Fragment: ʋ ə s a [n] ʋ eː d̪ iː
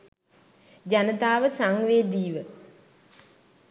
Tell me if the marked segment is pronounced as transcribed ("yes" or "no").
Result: no